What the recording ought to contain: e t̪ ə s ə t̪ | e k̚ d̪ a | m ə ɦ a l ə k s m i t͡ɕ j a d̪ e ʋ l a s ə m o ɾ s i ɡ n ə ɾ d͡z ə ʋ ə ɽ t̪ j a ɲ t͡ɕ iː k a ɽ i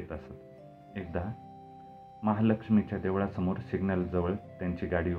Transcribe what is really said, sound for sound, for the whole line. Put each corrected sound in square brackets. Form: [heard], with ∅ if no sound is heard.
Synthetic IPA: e t̪ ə s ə t̪ | e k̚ d̪ a | m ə ɦ a l ə k [ʂ] m i t͡ɕ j a d̪ e ʋ [ɭ] a s ə m o ɾ s i ɡ n ə [l] d͡z ə ʋ ə [ɭ] t̪ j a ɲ t͡ɕ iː [ɡ] a ɽ i